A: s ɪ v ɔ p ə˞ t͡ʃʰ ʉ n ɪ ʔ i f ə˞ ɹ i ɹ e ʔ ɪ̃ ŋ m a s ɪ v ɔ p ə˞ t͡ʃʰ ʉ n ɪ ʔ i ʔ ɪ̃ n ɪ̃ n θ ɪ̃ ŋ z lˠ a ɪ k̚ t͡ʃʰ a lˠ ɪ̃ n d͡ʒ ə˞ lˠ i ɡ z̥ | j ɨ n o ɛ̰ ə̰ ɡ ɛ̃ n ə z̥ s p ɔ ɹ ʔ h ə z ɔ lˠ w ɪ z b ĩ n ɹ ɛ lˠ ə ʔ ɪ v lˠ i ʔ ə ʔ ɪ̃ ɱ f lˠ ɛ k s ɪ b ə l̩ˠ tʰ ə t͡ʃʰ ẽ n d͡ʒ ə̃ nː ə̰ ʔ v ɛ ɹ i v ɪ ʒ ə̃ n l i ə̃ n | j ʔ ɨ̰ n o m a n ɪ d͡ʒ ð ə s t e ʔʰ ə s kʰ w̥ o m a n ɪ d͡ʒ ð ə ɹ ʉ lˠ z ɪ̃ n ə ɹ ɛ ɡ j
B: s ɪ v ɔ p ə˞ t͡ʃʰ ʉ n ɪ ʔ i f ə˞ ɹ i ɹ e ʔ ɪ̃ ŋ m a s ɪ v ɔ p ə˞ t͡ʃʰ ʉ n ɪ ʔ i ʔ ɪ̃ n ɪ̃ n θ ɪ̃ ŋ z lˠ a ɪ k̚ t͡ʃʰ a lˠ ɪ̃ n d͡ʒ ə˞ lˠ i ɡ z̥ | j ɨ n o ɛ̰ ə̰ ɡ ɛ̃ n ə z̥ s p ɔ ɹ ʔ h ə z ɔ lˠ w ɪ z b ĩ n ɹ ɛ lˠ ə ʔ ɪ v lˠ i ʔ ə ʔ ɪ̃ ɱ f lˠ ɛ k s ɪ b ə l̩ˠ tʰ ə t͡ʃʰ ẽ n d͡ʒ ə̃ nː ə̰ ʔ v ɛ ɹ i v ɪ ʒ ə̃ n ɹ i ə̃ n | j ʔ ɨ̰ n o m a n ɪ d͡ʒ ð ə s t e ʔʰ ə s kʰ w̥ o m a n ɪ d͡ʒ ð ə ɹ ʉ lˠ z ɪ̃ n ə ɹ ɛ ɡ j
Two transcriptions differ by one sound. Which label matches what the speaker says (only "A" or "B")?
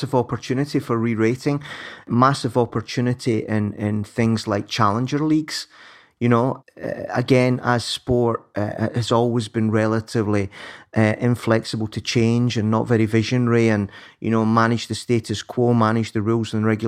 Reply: B